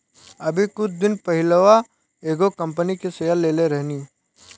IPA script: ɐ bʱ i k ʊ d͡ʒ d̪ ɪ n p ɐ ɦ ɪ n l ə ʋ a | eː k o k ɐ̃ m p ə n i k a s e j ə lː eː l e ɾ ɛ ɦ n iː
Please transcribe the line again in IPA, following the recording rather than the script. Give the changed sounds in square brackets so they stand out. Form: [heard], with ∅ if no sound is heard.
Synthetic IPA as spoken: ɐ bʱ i k ʊ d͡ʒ d̪ ɪ n p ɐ ɦ ɪ [∅] l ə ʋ a | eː [ɡ] o k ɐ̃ m p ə n i k [e] s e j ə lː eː l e ɾ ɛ ɦ n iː